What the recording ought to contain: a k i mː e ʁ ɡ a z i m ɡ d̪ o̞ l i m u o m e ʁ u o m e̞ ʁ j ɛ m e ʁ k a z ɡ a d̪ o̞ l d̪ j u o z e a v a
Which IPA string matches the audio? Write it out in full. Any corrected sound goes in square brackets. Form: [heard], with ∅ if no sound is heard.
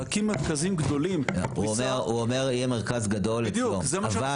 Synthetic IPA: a k i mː e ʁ [k] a z i m ɡ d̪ o̞ l i m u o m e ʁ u o m e̞ ʁ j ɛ m e ʁ k a z ɡ a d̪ o̞ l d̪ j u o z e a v a